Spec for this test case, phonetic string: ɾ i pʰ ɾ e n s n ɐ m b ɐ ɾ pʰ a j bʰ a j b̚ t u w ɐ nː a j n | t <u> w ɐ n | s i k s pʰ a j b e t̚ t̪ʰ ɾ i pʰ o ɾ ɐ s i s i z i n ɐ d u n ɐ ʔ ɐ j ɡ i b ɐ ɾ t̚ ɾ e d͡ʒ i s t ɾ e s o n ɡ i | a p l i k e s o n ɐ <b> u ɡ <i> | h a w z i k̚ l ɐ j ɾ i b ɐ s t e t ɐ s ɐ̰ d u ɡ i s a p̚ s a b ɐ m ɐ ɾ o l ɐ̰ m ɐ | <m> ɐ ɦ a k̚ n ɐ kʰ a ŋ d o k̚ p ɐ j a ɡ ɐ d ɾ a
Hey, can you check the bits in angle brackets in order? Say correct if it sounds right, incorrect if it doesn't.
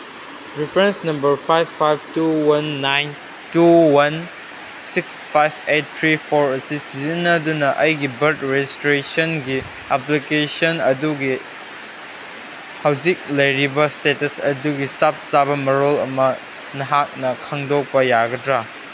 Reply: correct, incorrect: d, correct, incorrect: n

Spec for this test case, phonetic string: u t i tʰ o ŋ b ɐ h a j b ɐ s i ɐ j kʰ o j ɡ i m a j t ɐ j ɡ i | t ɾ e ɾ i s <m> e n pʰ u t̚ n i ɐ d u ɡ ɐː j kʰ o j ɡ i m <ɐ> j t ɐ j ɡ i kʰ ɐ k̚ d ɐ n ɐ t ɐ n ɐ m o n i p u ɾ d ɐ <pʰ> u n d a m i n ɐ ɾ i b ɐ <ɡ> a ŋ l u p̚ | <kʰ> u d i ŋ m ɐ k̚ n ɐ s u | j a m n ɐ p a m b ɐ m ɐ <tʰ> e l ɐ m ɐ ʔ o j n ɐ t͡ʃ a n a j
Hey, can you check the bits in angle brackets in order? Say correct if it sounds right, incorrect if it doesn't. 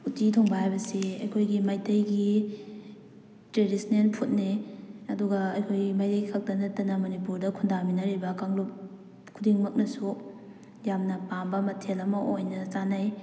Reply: incorrect: n, incorrect: a, incorrect: kʰ, incorrect: k, correct, correct

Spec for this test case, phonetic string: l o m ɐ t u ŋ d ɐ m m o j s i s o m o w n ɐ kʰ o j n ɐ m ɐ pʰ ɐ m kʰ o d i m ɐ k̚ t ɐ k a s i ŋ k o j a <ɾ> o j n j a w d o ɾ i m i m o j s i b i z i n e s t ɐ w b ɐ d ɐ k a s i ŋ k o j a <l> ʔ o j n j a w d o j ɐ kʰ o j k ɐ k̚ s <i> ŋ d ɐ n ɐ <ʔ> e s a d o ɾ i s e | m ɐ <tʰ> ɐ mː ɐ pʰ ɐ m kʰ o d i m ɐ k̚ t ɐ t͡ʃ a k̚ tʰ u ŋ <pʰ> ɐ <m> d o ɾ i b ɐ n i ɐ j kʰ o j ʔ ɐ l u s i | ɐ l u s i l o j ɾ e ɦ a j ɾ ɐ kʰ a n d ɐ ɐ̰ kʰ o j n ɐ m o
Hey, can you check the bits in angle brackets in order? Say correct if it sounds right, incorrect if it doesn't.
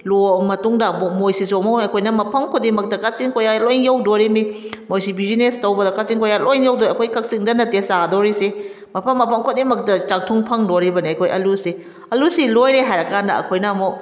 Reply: incorrect: l, correct, correct, incorrect: t, incorrect: pʰ, correct, incorrect: ŋ

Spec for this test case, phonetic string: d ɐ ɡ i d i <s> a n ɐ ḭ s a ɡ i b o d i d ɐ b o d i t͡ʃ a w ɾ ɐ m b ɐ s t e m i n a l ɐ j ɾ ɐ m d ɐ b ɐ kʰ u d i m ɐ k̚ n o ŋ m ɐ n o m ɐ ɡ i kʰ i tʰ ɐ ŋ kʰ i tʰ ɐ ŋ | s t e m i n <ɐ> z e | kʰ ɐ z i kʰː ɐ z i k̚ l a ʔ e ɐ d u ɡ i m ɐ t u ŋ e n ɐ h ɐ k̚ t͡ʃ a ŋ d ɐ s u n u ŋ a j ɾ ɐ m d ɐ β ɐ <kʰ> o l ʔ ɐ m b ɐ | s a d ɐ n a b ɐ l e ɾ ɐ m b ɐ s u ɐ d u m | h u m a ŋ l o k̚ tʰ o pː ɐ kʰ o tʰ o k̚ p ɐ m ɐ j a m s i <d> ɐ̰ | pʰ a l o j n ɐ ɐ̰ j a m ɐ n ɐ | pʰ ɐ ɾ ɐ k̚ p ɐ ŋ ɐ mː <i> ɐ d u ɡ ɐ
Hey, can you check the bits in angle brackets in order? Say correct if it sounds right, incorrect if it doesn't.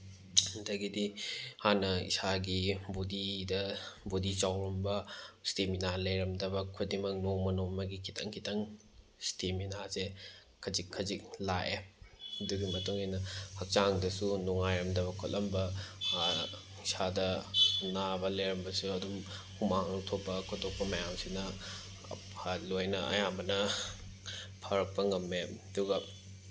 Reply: incorrect: h, incorrect: a, correct, incorrect: n, incorrect: e

